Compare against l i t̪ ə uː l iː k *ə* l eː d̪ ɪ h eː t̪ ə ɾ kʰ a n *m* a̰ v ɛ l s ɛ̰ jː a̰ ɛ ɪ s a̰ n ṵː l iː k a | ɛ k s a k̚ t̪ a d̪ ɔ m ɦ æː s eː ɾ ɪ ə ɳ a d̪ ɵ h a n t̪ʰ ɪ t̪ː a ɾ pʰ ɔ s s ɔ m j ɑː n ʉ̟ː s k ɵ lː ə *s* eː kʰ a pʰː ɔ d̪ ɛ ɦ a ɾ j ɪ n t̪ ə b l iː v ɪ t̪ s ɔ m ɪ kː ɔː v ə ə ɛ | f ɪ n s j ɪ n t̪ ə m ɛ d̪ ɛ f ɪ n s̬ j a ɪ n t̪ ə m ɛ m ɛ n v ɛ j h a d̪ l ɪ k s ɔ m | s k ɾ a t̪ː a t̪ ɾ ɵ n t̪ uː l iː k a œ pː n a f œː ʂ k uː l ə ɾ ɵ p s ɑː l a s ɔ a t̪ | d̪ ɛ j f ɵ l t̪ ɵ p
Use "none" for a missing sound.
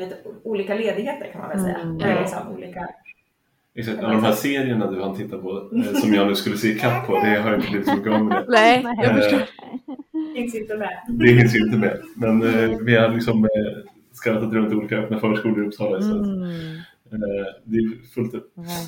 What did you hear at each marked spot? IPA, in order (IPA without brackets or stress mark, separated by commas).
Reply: a, m, s